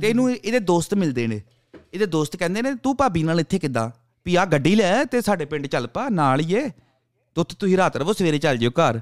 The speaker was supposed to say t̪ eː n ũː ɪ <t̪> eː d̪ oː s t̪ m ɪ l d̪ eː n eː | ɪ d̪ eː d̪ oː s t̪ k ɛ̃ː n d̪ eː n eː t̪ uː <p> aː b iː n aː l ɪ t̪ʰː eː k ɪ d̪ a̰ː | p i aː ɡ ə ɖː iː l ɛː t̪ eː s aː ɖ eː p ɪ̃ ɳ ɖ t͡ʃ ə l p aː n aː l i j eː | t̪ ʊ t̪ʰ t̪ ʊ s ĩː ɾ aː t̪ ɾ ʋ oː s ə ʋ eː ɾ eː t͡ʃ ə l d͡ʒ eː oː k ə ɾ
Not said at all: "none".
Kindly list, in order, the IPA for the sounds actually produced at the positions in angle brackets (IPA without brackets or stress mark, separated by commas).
d̪, p